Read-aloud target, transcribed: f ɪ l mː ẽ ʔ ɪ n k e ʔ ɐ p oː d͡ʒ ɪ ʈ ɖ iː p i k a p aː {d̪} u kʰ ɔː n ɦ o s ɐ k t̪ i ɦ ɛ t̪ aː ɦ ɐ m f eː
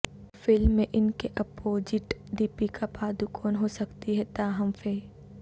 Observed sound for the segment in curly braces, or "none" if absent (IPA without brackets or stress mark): d̪